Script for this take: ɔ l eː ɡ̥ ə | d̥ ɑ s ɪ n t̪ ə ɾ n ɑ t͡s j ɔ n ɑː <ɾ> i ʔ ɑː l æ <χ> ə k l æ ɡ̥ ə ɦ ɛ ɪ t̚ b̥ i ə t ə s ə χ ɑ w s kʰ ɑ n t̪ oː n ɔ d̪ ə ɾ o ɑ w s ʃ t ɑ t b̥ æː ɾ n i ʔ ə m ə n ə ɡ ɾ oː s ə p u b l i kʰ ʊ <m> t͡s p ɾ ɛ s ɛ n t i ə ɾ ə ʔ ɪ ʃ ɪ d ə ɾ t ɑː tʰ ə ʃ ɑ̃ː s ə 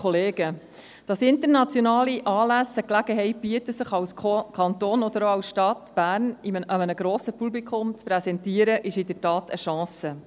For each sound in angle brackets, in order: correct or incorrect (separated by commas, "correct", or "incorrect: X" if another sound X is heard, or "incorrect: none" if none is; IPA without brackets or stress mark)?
incorrect: l, incorrect: s, correct